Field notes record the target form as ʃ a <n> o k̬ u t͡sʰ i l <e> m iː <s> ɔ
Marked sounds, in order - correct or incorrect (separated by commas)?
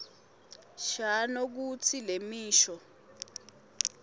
correct, correct, incorrect